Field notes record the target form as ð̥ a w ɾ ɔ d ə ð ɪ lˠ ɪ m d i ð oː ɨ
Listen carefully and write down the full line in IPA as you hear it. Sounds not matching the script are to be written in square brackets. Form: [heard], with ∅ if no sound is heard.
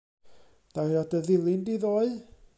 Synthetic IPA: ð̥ a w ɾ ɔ d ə ð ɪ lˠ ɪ [n] d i ð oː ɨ